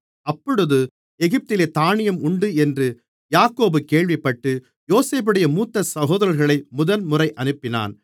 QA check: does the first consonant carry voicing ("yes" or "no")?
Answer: no